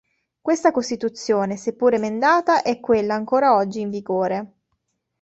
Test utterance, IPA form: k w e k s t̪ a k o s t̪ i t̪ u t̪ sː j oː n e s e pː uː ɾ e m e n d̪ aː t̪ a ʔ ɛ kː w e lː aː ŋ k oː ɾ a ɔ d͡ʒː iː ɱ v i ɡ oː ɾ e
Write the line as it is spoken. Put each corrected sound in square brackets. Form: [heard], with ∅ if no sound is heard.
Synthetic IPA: k w e [∅] s t̪ a k o s t̪ i t̪ u t̪ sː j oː n e s e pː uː ɾ e m e n d̪ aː t̪ a ʔ ɛ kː w e lː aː ŋ k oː ɾ a ɔ d͡ʒː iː ɱ v i ɡ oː ɾ e